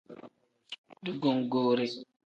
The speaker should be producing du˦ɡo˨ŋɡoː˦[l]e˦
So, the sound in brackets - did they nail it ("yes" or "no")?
no